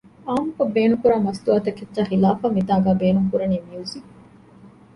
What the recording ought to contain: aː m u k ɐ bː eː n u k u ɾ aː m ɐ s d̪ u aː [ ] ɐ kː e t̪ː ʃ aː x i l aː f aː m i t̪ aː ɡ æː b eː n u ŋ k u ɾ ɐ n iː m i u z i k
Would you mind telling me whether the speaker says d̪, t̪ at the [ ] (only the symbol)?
t̪